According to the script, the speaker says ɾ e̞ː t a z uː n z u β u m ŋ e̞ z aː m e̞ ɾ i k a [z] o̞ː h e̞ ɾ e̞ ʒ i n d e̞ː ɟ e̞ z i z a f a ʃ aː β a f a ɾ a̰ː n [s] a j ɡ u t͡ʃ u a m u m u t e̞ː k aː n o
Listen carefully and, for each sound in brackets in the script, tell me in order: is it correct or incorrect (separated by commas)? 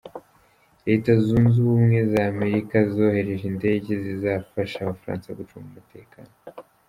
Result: correct, correct